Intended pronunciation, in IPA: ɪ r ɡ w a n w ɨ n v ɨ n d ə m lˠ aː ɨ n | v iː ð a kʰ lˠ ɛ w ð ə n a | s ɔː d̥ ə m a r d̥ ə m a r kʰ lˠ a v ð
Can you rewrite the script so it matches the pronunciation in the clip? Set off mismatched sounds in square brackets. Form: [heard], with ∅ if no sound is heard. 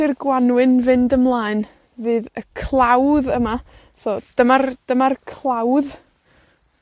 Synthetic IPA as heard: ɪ r ɡ w a n w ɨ n v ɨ n d ə m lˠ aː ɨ n | v [ɨː] ð [ə] kʰ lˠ [a] w ð ə [m] a | s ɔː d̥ ə m a r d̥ ə m a r kʰ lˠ a [w] ð